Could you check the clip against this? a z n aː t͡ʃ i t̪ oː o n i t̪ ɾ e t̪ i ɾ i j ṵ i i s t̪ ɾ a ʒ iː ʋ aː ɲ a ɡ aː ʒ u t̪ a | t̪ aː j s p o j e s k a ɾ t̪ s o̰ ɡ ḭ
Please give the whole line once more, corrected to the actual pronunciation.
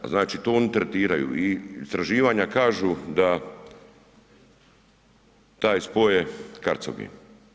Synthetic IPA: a z n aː t͡ʃ i t̪ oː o n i t̪ ɾ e t̪ iː ɾ a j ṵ i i s t̪ ɾ a ʒ iː ʋ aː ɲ a k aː ʒ u d̪ a | t̪ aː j s p o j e k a ɾ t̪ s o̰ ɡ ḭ

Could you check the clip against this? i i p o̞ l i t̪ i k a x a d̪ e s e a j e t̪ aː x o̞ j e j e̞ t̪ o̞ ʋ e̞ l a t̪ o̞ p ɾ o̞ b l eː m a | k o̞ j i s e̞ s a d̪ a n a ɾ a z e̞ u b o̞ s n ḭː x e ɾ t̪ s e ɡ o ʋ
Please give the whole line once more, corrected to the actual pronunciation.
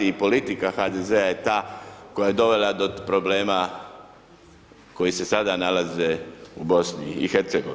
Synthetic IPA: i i p o̞ l i t̪ i k a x a d̪ e z e a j e t̪ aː k o̞ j a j e̞ d̪ o̞ ʋ e̞ l a d̪ o̞ p ɾ o̞ b l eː m a | k o̞ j i s e̞ s a d̪ a n a l a z e̞ u b o̞ s n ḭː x e ɾ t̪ s e ɡ o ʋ

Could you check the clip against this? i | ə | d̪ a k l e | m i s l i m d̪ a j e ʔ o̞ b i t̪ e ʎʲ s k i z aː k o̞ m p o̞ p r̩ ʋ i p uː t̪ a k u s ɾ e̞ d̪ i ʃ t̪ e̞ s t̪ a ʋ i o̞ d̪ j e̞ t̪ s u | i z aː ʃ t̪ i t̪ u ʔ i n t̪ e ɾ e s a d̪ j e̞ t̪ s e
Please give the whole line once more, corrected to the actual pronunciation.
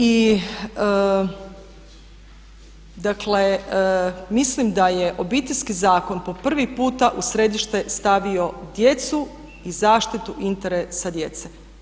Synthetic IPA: i | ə | d̪ a k l e | m i s l i m d̪ a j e ʔ o̞ b i t̪ e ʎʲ s k i z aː k o̞ n p o̞ p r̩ ʋ i p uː t̪ a ʔ u s ɾ e̞ d̪ i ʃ t̪ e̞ s t̪ a ʋ i o̞ d̪ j e̞ t̪ s u | i z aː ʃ t̪ i t̪ u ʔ i n t̪ e ɾ e s a d̪ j e̞ t̪ s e

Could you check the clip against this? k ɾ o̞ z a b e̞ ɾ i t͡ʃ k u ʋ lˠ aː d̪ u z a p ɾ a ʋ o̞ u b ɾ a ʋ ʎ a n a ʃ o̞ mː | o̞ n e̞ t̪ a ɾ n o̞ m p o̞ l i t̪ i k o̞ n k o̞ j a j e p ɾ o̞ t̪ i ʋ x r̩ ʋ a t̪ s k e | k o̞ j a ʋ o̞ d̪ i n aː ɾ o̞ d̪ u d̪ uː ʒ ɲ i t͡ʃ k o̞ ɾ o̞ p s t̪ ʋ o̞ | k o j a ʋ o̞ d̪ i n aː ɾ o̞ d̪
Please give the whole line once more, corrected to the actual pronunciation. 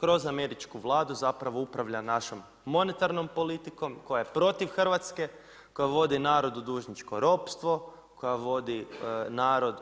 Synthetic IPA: k ɾ o̞ z a m e̞ ɾ i t͡ʃ k u ʋ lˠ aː d̪ u z a p ɾ a ʋ o̞ u p ɾ a ʋ ʎ a n a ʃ o̞ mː | o̞ n e̞ t̪ a ɾ n o̞ m p o̞ l i t̪ i k o̞ m k o̞ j a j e p ɾ o̞ t̪ i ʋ x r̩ ʋ a t̪ s k e | k o̞ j a ʋ o̞ d̪ i n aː ɾ o̞ d̪ u d̪ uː ʒ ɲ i t͡ʃ k o̞ ɾ o̞ p s t̪ ʋ o̞ | k o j a ʋ o̞ d̪ i n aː ɾ o̞ d̪

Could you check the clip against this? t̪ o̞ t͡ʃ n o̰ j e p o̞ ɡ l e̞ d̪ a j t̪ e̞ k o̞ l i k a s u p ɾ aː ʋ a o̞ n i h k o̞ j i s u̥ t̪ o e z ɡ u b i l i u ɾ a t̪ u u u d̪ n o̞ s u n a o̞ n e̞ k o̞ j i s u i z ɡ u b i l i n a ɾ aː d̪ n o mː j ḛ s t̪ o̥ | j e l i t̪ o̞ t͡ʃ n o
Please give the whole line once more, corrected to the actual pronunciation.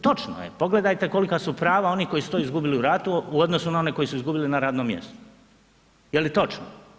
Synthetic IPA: t̪ o̞ t͡ʃ n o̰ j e p o̞ ɡ l e̞ d̪ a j t̪ e̞ k o̞ l i k a s u p ɾ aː ʋ a o̞ n i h k o̞ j i s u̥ t̪ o i z ɡ u b i l i u ɾ a t̪ u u o d̪ n o̞ s u n a o̞ n e̞ k o̞ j i s u i z ɡ u b i l i n a ɾ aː d̪ n o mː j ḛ s t̪ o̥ | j e l i t̪ o̞ t͡ʃ n o

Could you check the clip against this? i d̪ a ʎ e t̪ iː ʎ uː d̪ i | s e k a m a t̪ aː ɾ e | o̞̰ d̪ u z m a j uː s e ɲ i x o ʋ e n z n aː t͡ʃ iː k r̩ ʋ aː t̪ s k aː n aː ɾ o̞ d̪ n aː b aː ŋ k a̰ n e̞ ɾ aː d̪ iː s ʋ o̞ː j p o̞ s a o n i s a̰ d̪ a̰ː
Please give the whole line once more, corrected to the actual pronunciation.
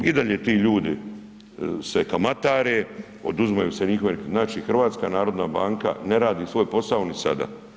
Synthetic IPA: i d̪ a ʎ e t̪ iː ʎ uː d̪ i | s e k a m a t̪ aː ɾ e | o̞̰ d̪ u z m a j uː s e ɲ i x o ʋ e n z n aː t͡ʃ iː x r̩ ʋ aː t̪ s k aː n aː ɾ o̞ d̪ n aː b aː ŋ k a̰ n e̞ ɾ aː d̪ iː s ʋ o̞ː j p o̞ s a o n i s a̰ d̪ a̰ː

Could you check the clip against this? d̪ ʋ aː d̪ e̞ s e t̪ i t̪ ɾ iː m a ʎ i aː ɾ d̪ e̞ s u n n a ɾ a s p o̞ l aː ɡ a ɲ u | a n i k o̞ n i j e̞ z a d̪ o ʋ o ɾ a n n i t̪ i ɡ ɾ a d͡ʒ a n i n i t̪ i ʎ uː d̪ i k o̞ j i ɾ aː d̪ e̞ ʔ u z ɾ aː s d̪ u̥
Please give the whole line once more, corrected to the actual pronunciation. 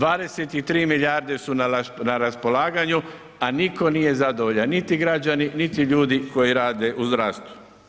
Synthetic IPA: d̪ ʋ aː d̪ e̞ s e t̪ i t̪ ɾ iː m i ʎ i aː ɾ d̪ e̞ s u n n a ɾ a s p o̞ l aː ɡ a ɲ u | a n i k o̞ n i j e̞ z a d̪ o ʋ o ʎ a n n i t̪ i ɡ ɾ a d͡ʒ a n i n i t̪ i ʎ uː d̪ i k o̞ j i ɾ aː d̪ e̞ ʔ u z ɾ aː s t̪ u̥

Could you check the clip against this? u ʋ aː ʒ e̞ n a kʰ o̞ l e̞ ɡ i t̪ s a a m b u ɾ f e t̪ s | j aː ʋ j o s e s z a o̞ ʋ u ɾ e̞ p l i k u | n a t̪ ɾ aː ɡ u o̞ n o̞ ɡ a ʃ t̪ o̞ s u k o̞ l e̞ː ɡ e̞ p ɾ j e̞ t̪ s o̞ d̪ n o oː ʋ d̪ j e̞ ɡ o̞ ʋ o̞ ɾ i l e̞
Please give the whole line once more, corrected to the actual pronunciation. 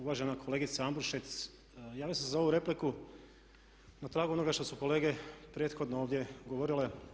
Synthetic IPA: u ʋ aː ʒ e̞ n a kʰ o̞ l e̞ ɡ i t̪ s a a m b u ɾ ʃ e t̪ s | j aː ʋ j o s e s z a o̞ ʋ u ɾ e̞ p l i k u | n a t̪ ɾ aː ɡ u o̞ n o̞ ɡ a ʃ t̪ o̞ s u k o̞ l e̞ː ɡ e̞ p ɾ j e̞ t̪ x o̞ d̪ n o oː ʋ d̪ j e̞ ɡ o̞ ʋ o̞ ɾ i l e̞

